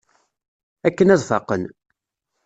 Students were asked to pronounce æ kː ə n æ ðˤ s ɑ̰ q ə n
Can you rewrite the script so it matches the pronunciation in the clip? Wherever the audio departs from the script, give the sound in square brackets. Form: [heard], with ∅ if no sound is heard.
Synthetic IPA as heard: æ kː ə n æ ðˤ [f] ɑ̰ q ə n